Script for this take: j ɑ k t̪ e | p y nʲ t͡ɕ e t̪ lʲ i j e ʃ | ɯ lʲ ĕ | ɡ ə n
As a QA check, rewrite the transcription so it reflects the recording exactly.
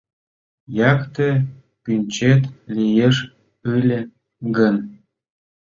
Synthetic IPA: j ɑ k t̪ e | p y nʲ t͡ɕ e t̪ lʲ i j e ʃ | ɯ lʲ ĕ | ɡ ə n